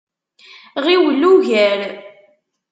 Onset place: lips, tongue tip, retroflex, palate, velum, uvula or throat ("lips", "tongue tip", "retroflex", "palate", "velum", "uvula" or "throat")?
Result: uvula